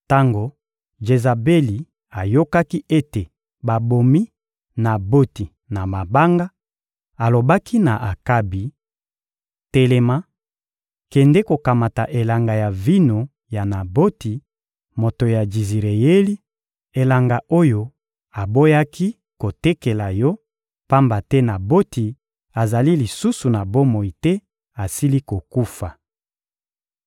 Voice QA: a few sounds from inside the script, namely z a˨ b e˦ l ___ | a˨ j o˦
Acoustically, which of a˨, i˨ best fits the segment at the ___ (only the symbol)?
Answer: i˨